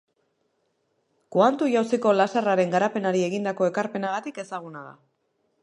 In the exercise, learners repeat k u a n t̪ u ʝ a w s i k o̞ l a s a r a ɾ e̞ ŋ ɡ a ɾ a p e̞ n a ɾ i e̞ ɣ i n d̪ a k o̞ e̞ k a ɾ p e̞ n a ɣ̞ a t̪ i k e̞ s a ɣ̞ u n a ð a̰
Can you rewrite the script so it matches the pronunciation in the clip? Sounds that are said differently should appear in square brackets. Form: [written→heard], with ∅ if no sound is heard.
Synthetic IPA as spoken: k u a n t̪ u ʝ a w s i k o̞ l a s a r a ɾ e̞ ŋ ɡ a ɾ a p e̞ n a ɾ i e̞ ɣ i n d̪ a k o̞ e̞ k a ɾ p e̞ n a ɣ̞ a t̪ i k e̞ s a ɣ̞ u n a ð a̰